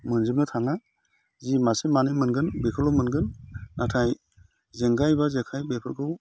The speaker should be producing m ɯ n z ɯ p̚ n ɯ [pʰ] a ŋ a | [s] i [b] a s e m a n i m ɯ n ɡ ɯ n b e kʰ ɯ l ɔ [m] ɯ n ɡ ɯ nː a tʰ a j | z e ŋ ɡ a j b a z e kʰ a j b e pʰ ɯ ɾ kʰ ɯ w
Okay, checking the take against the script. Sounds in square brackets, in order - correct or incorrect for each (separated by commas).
incorrect, incorrect, incorrect, correct